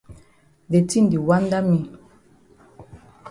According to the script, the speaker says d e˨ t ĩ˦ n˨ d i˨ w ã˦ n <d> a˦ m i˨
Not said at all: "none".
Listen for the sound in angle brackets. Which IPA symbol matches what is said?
d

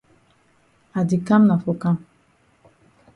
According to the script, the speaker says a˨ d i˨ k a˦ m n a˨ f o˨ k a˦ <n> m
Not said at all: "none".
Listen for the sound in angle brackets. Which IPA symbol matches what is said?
none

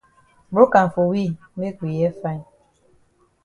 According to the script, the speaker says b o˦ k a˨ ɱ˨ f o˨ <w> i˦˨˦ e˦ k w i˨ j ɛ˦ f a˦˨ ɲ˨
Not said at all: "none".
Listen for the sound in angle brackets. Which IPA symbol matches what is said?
w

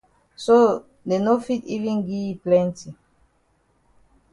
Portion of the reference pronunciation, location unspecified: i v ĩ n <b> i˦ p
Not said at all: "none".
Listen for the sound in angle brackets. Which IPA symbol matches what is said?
ɡ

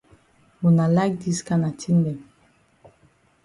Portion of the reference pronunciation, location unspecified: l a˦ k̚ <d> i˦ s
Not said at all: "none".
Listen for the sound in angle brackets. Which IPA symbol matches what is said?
d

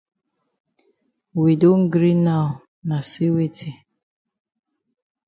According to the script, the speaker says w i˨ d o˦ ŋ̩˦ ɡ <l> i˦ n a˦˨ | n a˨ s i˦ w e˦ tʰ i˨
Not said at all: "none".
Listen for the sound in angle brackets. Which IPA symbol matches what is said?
ɾ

